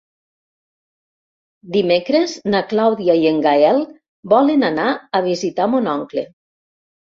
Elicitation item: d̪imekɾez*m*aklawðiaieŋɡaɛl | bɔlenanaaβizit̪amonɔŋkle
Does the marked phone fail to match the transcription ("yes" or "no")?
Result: yes